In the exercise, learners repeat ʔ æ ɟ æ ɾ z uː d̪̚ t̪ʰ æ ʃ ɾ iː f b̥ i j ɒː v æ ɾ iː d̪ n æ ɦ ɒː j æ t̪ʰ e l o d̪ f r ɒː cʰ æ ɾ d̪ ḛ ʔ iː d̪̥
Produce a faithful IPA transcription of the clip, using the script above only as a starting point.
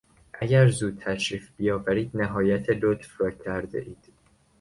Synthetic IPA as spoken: ʔ æ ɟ æ ɾ z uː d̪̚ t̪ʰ æ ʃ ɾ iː f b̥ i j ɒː v æ ɾ iː d̪ n æ ɦ ɒː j æ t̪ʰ e l o t̪ f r ɒː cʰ æ ɾ d̪ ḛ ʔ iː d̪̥